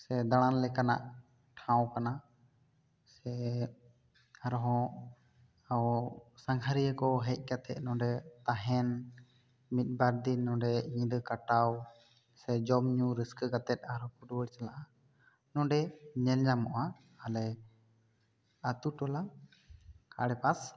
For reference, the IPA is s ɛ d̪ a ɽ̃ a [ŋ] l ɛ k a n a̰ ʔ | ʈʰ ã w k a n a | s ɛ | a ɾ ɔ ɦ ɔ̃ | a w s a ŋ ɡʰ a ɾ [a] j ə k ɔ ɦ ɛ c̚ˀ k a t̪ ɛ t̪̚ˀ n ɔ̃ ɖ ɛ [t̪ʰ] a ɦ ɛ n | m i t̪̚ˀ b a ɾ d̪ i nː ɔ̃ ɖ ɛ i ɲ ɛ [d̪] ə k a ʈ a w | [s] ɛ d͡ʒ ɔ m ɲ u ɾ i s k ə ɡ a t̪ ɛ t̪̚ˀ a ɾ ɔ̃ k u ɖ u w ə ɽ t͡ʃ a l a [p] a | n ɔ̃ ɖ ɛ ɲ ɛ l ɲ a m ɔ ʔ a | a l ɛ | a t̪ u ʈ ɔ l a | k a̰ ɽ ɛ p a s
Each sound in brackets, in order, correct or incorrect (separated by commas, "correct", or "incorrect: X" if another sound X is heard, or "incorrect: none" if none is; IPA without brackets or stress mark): incorrect: n, incorrect: i, incorrect: t̪, correct, correct, incorrect: ʔ